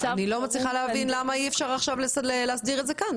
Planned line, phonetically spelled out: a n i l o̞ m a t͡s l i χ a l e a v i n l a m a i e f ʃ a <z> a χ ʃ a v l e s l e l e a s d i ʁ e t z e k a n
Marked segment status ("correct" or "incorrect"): incorrect